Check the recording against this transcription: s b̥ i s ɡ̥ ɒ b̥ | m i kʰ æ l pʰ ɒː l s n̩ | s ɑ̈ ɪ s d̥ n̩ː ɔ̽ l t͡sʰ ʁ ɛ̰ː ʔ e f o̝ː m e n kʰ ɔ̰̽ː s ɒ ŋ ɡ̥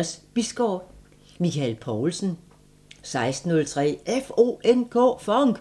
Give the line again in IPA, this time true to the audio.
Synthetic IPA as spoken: s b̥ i s ɡ̥ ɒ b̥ | m i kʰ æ l pʰ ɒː l s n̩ | s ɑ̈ ɪ s d̥ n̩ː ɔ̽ l t͡sʰ ʁ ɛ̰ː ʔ e f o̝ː e n kʰ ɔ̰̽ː f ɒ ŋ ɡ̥